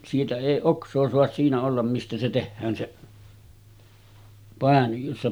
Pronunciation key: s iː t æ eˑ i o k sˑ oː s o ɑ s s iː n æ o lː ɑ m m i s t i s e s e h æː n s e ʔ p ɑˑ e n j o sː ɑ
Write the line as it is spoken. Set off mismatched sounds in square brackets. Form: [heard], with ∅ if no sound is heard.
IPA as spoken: s iː t æ eˑ i o k sˑ oː s o ɑ s s iː n æ o lː ɑ m m i s t [æ] s e [t] e [hː] æː n s e ʔ p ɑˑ e n j o sː ɑ